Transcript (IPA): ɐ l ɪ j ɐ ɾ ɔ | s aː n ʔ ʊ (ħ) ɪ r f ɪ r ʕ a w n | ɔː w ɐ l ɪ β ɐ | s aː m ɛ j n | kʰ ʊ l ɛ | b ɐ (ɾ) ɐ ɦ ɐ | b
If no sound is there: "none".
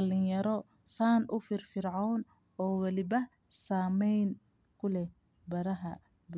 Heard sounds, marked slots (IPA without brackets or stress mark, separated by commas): f, ɾ